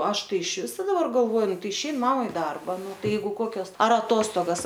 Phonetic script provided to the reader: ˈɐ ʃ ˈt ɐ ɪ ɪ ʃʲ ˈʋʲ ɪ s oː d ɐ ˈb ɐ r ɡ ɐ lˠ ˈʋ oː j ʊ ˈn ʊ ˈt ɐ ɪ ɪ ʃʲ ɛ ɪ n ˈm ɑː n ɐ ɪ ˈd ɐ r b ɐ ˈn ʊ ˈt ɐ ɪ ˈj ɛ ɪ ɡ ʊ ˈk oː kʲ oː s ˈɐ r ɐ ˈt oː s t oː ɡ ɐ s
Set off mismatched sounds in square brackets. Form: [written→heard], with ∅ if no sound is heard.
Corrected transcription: ˈɐ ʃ ˈt ɐ ɪ ɪ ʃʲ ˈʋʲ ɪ s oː d ɐ ˈb ɐ r ɡ ɐ lˠ ˈʋ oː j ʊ ˈn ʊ ˈt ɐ ɪ ɪ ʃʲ ɛ ɪ n ˈm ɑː [n→m] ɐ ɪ ˈd ɐ r b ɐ ˈn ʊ ˈt ɐ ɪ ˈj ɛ ɪ ɡ ʊ ˈk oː kʲ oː s ˈɐ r ɐ ˈt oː s t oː ɡ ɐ s